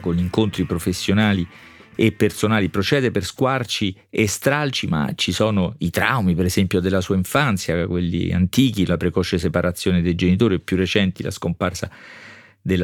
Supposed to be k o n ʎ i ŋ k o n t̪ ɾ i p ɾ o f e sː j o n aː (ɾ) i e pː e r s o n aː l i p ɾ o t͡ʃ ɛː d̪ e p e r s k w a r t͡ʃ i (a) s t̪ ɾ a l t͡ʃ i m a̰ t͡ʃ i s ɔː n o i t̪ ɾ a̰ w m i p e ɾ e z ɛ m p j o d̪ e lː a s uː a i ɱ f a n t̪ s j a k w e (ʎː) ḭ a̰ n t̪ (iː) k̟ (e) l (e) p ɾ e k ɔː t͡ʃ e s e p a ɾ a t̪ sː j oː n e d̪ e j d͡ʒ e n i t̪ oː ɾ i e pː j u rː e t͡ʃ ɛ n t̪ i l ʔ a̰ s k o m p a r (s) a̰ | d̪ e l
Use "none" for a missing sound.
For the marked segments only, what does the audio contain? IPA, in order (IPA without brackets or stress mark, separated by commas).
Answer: l, e, lː, iː, i, a, s